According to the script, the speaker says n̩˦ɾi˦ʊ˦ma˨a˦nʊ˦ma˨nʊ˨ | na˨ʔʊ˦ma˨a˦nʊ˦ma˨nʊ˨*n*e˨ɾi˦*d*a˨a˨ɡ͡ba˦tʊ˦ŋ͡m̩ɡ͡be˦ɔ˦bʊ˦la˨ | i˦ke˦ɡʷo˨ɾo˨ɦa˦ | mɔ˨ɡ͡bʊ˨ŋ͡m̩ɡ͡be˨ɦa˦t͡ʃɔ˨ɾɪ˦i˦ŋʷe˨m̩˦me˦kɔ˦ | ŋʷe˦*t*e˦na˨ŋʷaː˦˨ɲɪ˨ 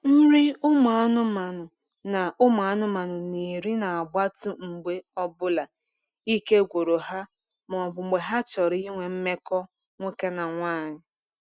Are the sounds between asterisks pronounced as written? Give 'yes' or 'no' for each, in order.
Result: yes, no, no

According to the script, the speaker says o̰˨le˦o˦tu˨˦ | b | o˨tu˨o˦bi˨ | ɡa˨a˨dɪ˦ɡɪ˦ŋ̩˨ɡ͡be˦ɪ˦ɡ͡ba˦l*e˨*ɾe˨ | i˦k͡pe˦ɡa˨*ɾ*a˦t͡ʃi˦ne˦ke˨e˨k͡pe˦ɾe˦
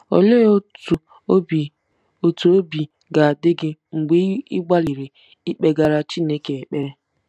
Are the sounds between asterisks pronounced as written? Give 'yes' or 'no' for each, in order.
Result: no, yes

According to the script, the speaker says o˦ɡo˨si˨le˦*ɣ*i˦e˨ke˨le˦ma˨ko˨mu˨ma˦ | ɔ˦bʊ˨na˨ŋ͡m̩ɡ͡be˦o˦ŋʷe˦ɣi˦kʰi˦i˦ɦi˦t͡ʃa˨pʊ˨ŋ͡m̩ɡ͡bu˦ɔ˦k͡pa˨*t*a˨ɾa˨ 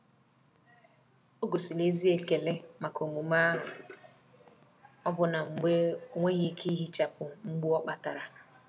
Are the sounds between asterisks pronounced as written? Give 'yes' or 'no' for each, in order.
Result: no, yes

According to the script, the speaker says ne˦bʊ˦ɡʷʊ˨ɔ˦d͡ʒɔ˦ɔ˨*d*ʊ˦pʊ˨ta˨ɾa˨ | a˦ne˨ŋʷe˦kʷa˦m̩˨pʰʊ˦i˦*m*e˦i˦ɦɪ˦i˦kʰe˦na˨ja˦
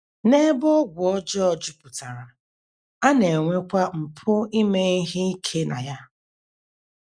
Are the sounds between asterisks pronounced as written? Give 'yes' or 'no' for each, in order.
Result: no, yes

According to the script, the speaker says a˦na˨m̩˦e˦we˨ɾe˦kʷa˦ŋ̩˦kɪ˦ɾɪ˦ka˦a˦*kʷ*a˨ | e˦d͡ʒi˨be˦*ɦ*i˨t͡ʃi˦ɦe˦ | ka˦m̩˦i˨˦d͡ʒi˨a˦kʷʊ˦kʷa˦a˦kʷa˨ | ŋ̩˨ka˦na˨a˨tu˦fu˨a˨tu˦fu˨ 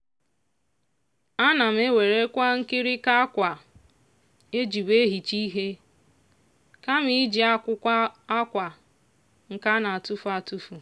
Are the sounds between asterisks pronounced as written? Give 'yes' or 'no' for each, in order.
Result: yes, yes

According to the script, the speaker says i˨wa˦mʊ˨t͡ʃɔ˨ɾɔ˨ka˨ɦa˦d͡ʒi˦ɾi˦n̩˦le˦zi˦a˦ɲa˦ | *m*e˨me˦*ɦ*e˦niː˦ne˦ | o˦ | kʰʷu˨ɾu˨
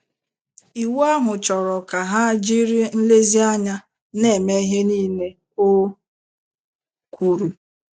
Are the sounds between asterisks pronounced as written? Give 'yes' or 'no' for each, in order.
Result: no, yes

